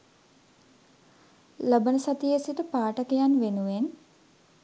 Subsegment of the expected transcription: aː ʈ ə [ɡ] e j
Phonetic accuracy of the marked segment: incorrect: k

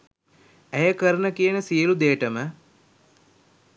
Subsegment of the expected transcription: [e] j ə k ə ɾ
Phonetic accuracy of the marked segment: incorrect: æ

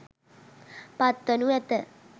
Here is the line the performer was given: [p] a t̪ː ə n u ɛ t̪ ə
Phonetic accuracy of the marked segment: correct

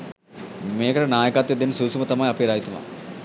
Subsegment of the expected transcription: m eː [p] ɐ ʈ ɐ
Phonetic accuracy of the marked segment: incorrect: k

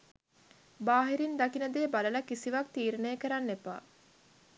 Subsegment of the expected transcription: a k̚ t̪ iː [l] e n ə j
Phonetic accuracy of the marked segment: incorrect: ɾ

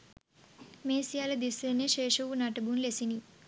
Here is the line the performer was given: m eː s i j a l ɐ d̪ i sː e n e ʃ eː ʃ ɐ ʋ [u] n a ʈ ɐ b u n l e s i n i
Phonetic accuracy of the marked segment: correct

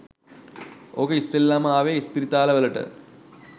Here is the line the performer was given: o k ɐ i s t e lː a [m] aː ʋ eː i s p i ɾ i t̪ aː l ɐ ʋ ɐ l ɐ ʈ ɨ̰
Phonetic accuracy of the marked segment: correct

